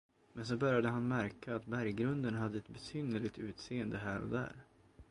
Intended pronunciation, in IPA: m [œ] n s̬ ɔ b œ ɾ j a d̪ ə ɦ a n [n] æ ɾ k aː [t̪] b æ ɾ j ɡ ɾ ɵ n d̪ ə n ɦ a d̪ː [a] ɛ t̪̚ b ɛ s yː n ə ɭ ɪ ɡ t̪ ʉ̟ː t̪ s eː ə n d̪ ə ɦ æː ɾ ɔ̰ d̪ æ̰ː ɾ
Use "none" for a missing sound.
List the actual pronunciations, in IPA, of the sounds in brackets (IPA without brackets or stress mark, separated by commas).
ɛ, m, t̪, ə